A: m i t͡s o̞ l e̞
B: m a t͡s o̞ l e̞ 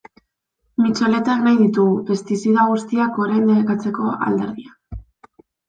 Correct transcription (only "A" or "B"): A